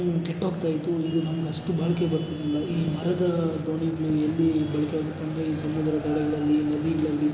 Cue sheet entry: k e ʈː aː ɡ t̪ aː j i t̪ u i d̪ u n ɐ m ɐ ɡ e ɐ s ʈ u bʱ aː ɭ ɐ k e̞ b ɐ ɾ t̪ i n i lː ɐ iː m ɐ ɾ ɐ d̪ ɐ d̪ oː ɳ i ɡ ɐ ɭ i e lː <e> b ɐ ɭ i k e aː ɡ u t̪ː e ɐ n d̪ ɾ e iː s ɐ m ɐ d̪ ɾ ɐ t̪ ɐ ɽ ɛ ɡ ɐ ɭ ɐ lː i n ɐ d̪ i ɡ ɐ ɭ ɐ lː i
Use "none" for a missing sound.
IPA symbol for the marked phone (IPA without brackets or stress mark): i